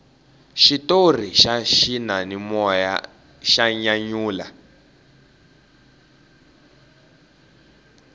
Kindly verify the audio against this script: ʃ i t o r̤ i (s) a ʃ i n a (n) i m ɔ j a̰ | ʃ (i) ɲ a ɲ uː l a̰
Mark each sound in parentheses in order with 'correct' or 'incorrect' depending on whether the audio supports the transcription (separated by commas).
incorrect, correct, incorrect